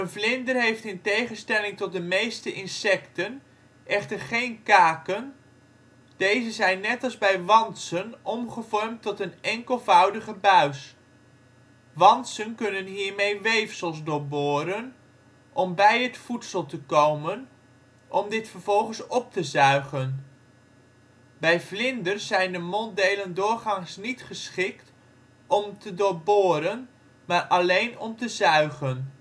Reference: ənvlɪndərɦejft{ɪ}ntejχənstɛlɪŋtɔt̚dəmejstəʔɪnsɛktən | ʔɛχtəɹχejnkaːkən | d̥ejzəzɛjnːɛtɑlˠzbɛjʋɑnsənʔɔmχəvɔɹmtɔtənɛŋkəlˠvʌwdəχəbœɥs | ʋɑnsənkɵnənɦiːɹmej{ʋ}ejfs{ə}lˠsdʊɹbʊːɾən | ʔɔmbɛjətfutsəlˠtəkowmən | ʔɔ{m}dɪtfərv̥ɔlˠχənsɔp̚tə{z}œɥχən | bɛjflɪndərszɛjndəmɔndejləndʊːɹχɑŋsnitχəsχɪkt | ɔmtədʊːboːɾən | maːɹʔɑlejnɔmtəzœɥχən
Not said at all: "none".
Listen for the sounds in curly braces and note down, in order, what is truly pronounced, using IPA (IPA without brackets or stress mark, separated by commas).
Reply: ɪ, ʋ, ə, m, z